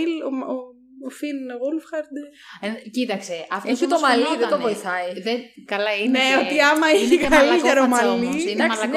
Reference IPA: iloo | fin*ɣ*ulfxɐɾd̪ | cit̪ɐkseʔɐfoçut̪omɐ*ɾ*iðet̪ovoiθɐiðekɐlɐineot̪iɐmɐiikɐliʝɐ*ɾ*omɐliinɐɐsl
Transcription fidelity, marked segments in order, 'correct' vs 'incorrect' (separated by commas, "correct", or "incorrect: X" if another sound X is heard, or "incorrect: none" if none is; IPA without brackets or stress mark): correct, incorrect: l, correct